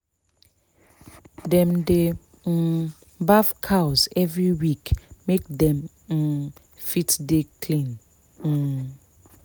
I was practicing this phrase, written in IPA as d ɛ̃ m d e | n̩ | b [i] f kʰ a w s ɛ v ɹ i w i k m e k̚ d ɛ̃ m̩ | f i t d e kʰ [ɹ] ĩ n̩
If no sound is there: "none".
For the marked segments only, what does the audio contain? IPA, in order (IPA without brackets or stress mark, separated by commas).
a, l